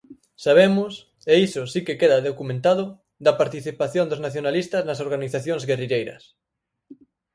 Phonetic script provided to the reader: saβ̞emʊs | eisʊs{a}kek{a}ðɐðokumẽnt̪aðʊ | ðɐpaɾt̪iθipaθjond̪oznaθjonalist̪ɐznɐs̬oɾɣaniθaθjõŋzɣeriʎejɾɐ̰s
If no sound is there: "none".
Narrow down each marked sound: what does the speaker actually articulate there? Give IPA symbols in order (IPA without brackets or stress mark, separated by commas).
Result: i, e